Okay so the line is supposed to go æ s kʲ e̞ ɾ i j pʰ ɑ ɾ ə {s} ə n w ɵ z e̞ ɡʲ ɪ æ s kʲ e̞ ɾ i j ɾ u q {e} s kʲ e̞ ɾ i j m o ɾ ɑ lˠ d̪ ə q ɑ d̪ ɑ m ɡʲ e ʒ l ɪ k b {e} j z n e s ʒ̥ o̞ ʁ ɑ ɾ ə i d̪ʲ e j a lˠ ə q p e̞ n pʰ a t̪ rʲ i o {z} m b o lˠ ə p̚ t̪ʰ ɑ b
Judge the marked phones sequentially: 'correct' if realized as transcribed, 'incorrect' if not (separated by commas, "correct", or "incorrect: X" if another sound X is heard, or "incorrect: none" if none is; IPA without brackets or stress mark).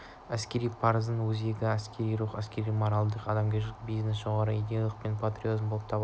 incorrect: z, incorrect: æ, incorrect: i, correct